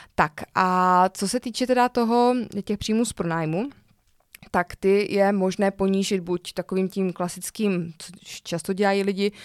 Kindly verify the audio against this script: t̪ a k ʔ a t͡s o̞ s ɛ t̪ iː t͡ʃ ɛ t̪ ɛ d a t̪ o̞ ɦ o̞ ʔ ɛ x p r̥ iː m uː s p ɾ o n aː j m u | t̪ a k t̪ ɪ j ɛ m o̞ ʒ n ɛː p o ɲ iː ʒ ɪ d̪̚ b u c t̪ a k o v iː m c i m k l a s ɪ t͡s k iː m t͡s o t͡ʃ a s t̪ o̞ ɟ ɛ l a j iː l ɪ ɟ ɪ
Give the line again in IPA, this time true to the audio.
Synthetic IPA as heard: t̪ a k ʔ a t͡s o̞ s ɛ t̪ iː t͡ʃ ɛ t̪ ɛ d a t̪ o̞ ɦ o̞ c ɛ x p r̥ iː m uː s p ɾ o n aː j m u | t̪ a k t̪ ɪ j ɛ m o̞ ʒ n ɛː p o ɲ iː ʒ ɪ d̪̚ b u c t̪ a k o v iː m c i m k l a s ɪ t͡s k iː m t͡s o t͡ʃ a s t̪ o̞ ɟ ɛ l a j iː l ɪ ɟ ɪ